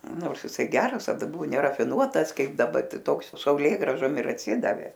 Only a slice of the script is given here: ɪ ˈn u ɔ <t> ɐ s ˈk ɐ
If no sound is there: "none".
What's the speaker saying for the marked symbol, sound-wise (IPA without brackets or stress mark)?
t